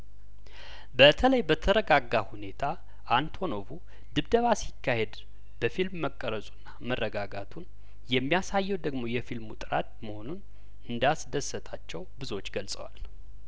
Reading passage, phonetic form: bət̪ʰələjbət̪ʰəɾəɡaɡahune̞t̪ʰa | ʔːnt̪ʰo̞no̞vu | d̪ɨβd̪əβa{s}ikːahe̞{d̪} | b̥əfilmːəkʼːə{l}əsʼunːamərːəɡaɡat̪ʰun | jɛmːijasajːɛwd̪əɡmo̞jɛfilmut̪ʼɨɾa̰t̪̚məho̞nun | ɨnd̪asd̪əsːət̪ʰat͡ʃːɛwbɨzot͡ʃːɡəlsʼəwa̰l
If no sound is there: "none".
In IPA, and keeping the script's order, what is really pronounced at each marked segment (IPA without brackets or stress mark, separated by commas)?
s, d̪, ɾ